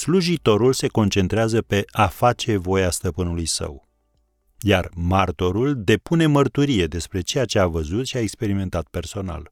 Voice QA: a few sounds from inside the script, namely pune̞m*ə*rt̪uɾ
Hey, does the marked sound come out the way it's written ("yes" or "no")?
yes